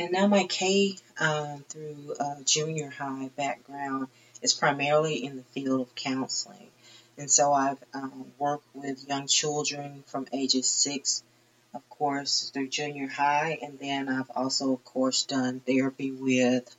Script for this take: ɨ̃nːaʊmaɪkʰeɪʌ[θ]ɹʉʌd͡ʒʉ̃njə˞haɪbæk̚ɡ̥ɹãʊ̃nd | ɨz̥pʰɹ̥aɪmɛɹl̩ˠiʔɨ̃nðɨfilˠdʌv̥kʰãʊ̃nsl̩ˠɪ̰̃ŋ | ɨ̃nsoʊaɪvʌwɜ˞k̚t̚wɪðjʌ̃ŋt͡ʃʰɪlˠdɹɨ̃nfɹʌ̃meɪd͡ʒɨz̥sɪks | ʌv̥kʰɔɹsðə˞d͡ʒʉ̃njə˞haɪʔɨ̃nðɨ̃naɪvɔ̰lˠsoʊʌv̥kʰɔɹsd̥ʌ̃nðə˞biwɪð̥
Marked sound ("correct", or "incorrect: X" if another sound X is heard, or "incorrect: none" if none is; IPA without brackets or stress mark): correct